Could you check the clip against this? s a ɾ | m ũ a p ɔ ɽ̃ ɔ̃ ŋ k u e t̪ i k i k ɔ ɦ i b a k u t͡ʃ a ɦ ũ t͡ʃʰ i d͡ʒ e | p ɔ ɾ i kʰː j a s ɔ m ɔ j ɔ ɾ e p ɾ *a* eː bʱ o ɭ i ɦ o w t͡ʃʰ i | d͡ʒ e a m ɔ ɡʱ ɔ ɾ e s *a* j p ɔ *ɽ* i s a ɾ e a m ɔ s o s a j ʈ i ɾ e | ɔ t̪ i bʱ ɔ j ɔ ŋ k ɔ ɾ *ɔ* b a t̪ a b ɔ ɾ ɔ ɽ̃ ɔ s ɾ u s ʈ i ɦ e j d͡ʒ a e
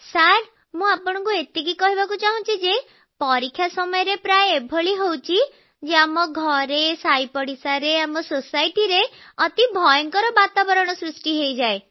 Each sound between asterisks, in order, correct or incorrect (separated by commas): correct, correct, correct, correct